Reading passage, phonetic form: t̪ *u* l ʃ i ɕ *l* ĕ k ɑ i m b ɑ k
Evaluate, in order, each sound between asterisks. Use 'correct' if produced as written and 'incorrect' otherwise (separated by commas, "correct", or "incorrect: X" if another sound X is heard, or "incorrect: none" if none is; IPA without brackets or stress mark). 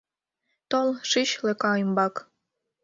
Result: incorrect: o, correct